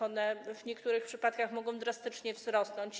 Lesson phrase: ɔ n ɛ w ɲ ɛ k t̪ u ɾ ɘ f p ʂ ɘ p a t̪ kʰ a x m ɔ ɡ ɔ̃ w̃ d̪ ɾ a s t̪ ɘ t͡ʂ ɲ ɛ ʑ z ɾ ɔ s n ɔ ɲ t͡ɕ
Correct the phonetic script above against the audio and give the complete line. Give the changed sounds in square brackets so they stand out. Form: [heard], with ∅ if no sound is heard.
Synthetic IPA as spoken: ɔ n ɛ [v] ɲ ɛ k t̪ u ɾ ɘ [x] p ʂ ɘ p a t̪ [k] a x m ɔ ɡ ɔ̃ w̃ d̪ ɾ a s t̪ ɘ t͡ʂ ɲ ɛ [v] z ɾ ɔ s n ɔ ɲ t͡ɕ